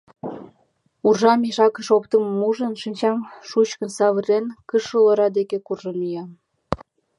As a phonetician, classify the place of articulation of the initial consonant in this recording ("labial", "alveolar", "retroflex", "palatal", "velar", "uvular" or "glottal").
alveolar